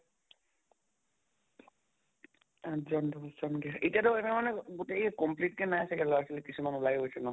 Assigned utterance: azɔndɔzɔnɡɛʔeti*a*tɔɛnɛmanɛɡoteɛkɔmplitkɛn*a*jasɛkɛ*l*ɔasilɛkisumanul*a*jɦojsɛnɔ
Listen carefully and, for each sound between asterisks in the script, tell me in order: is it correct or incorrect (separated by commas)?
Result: correct, correct, correct, correct